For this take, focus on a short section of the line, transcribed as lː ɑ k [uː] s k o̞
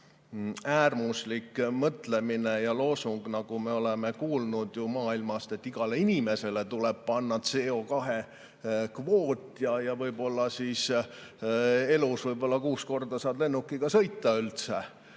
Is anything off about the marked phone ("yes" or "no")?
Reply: no